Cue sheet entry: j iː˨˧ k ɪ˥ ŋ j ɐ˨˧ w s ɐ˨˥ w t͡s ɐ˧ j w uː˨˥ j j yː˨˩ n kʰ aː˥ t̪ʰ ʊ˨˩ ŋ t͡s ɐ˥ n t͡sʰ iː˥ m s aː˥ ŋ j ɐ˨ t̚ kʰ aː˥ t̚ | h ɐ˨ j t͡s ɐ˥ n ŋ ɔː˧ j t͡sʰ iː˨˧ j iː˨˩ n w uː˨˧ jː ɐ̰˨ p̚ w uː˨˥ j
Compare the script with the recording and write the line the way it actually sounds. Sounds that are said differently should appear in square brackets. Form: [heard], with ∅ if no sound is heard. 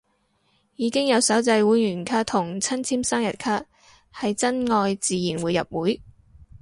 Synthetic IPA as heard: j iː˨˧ k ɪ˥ ŋ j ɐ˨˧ w s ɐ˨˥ w t͡s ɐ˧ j w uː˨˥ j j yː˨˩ n kʰ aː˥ t̪ʰ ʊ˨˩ ŋ [t͡sʰ] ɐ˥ n t͡sʰ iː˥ m s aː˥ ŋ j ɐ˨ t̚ kʰ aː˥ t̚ | h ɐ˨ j t͡s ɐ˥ n ŋ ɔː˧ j [t͡s] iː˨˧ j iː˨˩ n w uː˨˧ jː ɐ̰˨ p̚ w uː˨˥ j